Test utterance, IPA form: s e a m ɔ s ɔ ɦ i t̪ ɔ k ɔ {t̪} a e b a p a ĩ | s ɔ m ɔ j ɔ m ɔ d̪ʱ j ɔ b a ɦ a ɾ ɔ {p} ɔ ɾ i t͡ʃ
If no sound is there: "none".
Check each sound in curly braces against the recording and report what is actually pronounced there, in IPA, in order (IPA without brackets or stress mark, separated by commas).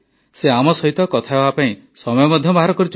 t̪ʰ, k